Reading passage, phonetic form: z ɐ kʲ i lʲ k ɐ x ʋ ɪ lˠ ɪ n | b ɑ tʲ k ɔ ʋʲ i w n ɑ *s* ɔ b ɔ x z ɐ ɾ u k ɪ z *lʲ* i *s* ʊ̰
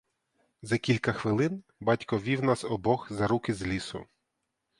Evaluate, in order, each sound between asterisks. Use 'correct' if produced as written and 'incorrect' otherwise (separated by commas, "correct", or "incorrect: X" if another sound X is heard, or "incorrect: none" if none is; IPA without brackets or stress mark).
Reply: correct, correct, correct